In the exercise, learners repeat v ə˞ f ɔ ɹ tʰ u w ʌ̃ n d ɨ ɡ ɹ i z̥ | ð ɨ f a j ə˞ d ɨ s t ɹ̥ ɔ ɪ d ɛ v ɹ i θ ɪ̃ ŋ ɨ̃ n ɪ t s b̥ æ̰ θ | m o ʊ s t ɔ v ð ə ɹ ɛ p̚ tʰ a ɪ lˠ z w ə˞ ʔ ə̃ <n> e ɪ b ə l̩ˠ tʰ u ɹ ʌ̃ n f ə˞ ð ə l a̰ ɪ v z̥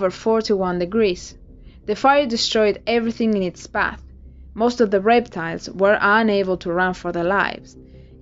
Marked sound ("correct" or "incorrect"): correct